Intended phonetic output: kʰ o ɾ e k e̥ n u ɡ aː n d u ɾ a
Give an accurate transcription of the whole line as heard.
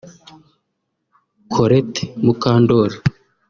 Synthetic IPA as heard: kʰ o ɾ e t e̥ m u k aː n d o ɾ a